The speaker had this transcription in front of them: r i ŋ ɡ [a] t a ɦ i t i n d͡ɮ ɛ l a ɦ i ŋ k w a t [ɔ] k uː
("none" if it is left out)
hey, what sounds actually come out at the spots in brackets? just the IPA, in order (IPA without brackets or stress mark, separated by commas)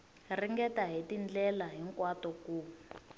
ɛ, ɔ